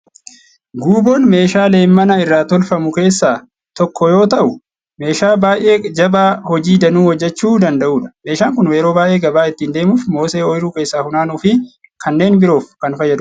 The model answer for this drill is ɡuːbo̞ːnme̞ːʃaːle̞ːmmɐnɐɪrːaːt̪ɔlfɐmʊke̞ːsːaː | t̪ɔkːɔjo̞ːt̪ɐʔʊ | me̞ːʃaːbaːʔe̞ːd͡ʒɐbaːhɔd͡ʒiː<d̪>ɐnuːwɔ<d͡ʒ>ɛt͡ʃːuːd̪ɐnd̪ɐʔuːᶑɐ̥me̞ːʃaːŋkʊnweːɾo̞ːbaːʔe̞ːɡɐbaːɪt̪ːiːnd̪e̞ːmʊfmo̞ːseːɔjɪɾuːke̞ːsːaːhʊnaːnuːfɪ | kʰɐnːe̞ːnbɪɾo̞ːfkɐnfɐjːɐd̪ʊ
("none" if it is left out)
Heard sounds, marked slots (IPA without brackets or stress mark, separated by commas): d̪, d͡ʒː